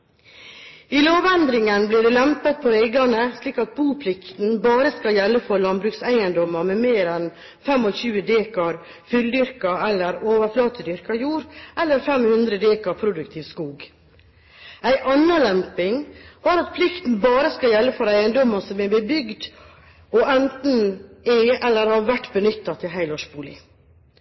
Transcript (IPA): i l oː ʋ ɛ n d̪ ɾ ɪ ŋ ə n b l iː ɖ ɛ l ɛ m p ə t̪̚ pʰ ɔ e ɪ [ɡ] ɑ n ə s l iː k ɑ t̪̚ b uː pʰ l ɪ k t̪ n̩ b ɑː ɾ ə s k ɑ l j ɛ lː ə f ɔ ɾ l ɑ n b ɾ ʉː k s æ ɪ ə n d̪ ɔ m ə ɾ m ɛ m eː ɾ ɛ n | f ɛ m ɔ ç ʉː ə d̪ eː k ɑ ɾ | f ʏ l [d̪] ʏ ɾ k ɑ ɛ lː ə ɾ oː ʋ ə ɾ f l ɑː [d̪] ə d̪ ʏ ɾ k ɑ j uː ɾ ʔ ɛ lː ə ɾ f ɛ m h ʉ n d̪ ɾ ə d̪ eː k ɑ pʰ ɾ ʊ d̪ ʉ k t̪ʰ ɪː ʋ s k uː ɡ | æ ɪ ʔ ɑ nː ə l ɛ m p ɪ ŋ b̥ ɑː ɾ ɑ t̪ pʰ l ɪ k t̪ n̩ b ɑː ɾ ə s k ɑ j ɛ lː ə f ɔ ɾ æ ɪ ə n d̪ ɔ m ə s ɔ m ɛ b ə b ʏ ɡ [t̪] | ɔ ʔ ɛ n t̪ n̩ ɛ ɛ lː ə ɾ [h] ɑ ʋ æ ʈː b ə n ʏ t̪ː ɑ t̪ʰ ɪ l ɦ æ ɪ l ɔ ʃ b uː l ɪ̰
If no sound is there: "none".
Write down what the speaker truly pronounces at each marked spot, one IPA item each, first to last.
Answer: ɡ, d̪, t̪, d̪, h

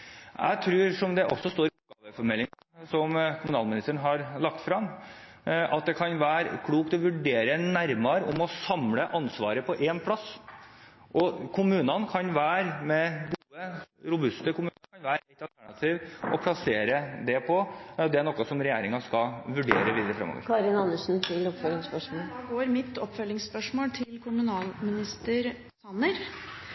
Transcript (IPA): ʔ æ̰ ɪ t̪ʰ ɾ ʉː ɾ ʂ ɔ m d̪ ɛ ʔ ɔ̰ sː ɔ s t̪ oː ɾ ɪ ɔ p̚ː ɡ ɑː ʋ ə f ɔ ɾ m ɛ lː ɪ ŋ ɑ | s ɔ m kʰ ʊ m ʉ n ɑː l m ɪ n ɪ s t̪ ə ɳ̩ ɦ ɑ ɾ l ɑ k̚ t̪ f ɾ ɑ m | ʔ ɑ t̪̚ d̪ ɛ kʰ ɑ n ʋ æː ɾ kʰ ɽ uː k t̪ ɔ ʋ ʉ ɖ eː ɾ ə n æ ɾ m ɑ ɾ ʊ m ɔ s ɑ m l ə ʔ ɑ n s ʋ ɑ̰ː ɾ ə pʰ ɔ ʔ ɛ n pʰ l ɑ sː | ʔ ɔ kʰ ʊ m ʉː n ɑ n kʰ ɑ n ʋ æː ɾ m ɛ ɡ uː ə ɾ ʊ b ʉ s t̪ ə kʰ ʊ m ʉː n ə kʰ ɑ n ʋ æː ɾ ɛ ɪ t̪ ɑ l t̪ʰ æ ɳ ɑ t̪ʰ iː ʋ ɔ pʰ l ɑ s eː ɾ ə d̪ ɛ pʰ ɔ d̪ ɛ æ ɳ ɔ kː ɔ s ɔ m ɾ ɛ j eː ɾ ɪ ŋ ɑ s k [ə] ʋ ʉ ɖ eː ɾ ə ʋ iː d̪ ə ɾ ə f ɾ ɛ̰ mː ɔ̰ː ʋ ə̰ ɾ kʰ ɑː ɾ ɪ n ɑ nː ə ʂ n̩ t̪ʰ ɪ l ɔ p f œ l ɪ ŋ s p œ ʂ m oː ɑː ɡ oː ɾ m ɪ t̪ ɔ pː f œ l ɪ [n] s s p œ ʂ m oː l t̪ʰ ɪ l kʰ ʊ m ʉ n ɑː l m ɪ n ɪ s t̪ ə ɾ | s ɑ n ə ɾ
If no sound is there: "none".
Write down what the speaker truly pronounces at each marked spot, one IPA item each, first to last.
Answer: ɑ, ŋ

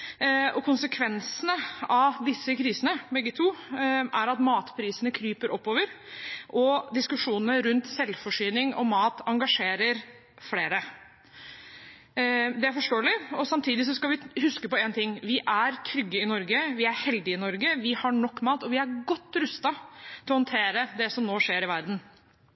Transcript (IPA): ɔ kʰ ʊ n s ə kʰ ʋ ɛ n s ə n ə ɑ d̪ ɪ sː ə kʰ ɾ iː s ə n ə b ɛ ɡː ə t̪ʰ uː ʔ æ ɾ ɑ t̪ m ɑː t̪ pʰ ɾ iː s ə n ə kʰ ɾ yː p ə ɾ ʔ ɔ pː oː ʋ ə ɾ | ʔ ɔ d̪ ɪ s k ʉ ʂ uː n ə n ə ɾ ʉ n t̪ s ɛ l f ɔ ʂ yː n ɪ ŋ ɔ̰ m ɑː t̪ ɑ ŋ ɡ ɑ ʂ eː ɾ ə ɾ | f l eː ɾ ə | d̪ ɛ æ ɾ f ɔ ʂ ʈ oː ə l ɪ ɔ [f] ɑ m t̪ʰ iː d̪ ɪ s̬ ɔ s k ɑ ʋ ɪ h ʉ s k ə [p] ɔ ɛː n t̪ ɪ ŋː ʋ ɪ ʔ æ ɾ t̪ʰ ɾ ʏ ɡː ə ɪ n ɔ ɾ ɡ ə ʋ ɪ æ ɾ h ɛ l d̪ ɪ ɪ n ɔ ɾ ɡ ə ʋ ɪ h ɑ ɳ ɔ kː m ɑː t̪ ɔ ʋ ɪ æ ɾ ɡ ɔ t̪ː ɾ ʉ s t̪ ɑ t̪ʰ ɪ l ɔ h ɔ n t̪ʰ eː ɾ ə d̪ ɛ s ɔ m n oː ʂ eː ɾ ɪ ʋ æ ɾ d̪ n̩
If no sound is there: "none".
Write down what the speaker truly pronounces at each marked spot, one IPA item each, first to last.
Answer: s, p

